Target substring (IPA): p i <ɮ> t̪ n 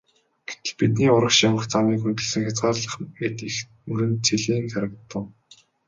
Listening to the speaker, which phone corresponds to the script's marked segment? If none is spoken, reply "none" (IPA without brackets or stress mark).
none